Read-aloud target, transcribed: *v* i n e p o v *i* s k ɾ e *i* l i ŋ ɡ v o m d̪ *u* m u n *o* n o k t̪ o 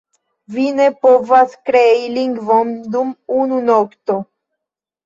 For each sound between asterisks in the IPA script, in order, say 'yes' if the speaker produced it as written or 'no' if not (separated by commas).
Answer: yes, no, yes, yes, no